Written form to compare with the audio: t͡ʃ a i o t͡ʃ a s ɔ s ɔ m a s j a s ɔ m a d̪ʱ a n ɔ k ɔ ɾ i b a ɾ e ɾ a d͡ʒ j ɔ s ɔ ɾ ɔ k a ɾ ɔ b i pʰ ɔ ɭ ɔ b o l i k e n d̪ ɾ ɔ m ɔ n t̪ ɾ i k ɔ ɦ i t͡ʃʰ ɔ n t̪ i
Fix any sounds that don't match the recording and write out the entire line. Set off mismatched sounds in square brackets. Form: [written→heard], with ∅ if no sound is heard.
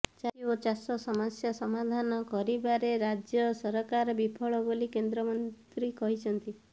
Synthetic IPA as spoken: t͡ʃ a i o t͡ʃ a s ɔ s ɔ m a s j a s ɔ m a d̪ʱ a n ɔ k ɔ ɾ i b a ɾ e ɾ a d͡ʒ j ɔ s ɔ ɾ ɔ k a ɾ ɔ b i pʰ ɔ ɭ ɔ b o l i k e n d̪ ɾ ɔ m ɔ n t̪ ɾ i k ɔ ɦ i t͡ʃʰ ɔ n t̪ i